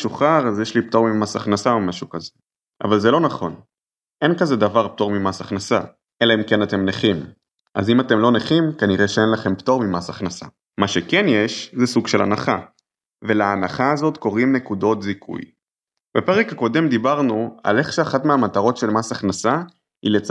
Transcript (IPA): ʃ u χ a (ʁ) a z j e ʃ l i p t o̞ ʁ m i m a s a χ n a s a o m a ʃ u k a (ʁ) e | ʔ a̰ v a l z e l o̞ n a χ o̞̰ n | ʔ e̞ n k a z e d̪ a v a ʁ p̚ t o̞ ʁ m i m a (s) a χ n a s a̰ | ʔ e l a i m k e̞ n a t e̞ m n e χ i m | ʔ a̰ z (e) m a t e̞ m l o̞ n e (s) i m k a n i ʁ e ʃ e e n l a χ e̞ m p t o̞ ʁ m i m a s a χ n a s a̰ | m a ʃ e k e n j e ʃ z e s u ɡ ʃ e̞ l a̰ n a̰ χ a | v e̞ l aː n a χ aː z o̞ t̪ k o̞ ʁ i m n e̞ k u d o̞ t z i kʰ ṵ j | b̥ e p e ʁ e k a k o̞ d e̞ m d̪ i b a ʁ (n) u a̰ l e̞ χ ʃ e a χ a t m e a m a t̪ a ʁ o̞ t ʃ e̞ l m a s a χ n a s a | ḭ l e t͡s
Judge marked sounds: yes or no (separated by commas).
yes, no, yes, no, no, yes